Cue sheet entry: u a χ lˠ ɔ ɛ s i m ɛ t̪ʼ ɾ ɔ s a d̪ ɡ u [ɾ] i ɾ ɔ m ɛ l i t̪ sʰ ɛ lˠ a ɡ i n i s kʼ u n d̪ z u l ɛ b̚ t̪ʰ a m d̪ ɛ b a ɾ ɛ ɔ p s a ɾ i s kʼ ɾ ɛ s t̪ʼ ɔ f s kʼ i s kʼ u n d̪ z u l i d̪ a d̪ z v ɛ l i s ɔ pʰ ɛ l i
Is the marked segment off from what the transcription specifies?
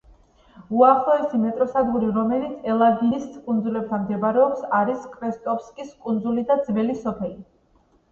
no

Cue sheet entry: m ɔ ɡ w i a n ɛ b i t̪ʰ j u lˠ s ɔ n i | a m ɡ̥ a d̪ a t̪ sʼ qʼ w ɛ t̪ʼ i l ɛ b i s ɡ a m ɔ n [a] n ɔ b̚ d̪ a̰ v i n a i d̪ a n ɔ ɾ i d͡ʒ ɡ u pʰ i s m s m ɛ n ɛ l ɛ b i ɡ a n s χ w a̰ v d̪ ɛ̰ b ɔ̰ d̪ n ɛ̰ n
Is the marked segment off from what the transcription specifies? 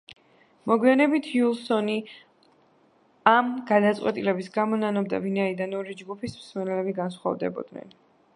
no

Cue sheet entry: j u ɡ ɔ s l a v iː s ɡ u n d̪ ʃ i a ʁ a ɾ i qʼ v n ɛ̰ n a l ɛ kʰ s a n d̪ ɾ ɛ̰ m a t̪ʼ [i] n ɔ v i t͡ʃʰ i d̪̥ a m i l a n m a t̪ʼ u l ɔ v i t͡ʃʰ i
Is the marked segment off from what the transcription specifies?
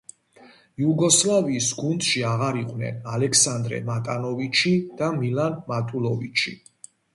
yes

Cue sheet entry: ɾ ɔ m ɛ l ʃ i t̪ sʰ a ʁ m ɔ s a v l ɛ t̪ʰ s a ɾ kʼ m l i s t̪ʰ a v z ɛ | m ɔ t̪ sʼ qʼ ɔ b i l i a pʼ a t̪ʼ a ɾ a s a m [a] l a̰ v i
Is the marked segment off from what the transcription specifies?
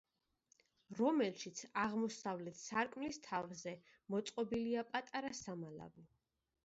no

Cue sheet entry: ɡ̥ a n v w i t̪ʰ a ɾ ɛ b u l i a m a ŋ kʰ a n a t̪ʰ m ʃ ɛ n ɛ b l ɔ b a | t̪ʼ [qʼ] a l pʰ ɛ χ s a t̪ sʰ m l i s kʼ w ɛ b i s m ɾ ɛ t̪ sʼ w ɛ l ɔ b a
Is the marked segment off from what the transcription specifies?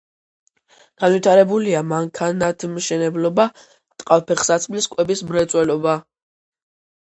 no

